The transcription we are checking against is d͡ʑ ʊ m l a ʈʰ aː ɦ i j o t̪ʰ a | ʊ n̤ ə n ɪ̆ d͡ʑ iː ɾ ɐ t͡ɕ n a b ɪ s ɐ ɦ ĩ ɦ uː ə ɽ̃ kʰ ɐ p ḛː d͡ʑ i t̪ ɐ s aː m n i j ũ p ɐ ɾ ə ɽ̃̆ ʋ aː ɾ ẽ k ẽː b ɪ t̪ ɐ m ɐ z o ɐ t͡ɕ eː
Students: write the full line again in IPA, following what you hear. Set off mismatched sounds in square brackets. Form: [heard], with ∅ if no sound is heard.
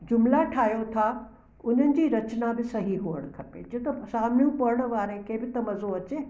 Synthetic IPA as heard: d͡ʑ ʊ m l a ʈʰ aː ɦ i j o t̪ʰ a | ʊ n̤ ə n ɪ̆ d͡ʑ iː ɾ ɐ t͡ɕ n a b ɪ s ɐ ɦ [i] ɦ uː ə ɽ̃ kʰ ɐ p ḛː d͡ʑ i t̪ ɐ s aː m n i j ũ p ɐ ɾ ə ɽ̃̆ ʋ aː ɾ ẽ k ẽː b ɪ t̪ ɐ m ɐ z o ɐ t͡ɕ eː